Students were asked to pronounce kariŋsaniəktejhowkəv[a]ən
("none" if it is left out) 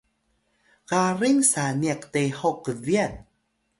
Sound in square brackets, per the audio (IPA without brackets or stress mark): i